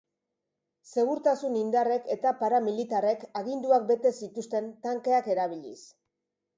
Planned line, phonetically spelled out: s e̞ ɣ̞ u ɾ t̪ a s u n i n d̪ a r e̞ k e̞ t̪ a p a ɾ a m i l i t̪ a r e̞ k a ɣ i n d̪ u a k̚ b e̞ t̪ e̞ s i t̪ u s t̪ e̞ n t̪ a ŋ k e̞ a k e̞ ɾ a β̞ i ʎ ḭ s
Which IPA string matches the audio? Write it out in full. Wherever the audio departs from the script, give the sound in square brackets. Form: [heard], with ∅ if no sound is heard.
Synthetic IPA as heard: s e̞ ɣ̞ u ɾ t̪ a s u n i n d̪ a r e̞ k e̞ t̪ a p a ɾ a m i l i t̪ a r e̞ k a ɣ i n d̪ u a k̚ b e̞ t̪ e̞ s i t̪ u s t̪ e̞ n t̪ a ŋ k e̞ a k e̞ ɾ a β̞ i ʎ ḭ s